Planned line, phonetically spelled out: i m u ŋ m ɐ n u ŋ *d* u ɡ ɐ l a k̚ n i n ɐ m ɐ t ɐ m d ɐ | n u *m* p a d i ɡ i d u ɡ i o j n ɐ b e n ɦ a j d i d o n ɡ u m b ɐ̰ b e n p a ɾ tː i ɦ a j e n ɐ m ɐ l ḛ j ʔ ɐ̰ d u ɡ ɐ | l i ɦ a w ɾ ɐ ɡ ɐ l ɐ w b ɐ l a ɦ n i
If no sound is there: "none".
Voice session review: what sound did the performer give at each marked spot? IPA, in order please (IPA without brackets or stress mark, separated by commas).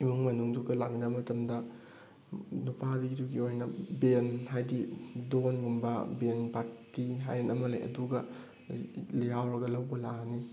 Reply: d, none